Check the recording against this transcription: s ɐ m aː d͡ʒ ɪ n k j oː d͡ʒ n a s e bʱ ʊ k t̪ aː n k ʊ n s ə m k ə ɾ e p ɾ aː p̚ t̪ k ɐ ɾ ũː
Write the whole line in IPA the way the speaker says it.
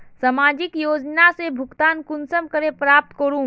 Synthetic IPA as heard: s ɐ m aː d͡ʒ ɪ k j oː d͡ʒ n a s e bʱ ʊ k t̪ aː n k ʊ n s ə m k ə ɾ e p ɾ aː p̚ t̪ k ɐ ɾ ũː

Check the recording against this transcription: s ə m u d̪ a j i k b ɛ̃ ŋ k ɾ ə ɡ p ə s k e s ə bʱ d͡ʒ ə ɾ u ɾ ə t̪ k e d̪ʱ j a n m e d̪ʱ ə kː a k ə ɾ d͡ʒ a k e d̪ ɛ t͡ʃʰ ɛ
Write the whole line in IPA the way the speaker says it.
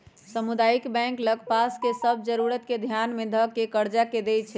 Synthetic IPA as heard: s ə m u d̪ a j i k b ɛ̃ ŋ k l ə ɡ p a s k e s ə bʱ d͡ʒ ə ɾ u ɾ ə t̪ k e d̪ʱ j a n m e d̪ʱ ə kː e k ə ɾ d͡ʒ a k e d̪ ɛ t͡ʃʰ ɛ

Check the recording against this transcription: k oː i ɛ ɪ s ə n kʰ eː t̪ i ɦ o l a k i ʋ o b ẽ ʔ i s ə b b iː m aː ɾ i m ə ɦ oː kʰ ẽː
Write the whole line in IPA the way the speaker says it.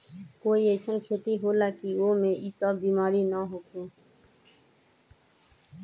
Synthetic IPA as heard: k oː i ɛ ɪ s ə n kʰ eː t̪ i ɦ o l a k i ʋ o m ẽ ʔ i s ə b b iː m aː ɾ i n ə ɦ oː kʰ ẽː

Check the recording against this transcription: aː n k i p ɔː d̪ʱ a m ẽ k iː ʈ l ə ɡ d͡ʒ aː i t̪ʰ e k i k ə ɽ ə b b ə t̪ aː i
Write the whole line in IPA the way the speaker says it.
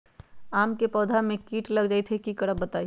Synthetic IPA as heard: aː m k e p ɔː d̪ʱ a m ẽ k iː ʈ l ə ɡ d͡ʒ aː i t̪ʰ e k i k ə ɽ ə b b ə t̪ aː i

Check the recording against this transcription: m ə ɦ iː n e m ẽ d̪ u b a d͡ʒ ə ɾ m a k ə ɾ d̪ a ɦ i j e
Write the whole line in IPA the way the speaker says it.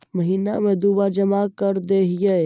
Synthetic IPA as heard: m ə ɦ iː n a m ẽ d̪ u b a d͡ʒ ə m a k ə ɾ d̪ e ɦ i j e

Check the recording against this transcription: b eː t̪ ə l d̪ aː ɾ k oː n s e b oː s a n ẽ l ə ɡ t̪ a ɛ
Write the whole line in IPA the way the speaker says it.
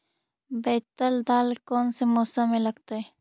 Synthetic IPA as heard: b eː t̪ ə l d̪ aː l k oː n s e m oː s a m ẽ l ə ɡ t̪ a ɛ

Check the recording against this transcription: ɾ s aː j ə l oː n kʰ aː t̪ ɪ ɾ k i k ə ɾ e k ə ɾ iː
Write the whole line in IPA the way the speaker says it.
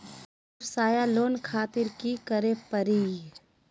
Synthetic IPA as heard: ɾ s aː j a l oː n kʰ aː t̪ ɪ ɾ k i k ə ɾ e p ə ɾ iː

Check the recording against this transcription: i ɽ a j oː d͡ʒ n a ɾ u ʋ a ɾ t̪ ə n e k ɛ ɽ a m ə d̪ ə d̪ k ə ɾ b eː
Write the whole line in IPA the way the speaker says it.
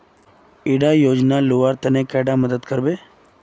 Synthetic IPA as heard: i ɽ a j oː d͡ʒ n a l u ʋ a ɾ t̪ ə n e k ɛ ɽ a m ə d̪ ə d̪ k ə ɾ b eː

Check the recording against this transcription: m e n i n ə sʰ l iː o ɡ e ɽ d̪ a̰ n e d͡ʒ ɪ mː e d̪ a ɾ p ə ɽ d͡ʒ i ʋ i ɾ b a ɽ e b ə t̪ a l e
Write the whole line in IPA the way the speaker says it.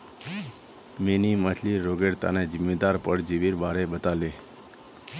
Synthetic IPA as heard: m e n i m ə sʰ l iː o ɡ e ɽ t̪ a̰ n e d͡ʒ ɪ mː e d̪ a ɾ p ə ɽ d͡ʒ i ʋ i ɾ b a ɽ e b ə t̪ a l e

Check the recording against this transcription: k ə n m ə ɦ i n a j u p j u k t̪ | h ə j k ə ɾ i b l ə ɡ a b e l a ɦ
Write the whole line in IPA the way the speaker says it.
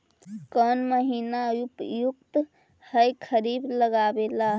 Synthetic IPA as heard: k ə n m ə ɦ i n a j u p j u k t̪ | h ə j kʰ ə ɾ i b l ə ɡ a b e l a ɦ

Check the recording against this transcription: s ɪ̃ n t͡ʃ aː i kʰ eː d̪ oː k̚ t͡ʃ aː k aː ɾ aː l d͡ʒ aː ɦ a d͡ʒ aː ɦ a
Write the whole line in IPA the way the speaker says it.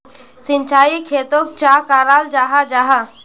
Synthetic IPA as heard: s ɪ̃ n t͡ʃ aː i kʰ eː t̪ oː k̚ t͡ʃ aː k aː ɾ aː l d͡ʒ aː ɦ a d͡ʒ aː ɦ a

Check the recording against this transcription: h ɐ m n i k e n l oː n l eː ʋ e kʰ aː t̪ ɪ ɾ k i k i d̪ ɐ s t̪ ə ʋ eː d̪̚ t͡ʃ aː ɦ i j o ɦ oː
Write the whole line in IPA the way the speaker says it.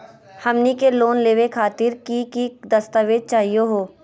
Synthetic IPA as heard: h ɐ m n i k e l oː n l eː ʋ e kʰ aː t̪ ɪ ɾ k i k i d̪ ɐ s t̪ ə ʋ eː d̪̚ t͡ʃ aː ɦ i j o ɦ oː

